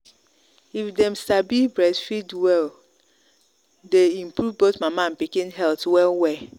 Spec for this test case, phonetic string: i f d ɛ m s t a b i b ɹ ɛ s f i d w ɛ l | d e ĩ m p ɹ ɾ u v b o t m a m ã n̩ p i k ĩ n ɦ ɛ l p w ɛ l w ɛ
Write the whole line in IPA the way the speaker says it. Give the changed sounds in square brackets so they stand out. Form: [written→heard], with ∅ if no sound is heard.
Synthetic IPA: i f d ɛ m s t a b i b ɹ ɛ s f i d w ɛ l | d e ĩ m p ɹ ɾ u v b o t m a m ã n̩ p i k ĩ n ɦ ɛ l [p→t] w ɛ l w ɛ